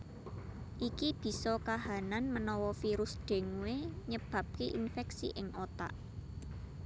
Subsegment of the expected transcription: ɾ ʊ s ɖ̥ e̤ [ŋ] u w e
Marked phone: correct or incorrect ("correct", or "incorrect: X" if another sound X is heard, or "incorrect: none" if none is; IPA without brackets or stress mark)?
correct